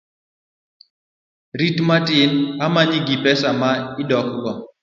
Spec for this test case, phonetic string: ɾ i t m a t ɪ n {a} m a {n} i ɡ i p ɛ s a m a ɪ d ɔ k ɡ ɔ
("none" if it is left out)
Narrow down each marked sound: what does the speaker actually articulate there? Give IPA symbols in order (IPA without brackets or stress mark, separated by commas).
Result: a, ɲ